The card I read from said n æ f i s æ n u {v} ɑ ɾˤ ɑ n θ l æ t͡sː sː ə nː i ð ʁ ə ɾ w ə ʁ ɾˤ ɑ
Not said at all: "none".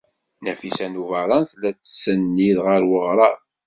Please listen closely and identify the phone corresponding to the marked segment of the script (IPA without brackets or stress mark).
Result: v